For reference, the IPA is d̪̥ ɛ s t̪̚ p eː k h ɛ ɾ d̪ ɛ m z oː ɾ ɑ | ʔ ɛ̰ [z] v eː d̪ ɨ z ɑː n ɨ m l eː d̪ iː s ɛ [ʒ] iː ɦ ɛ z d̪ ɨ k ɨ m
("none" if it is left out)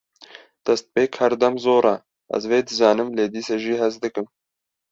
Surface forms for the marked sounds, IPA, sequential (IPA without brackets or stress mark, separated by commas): z, ʒ